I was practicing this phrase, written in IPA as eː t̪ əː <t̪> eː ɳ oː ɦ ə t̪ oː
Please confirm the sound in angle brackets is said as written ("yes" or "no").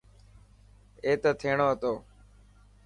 no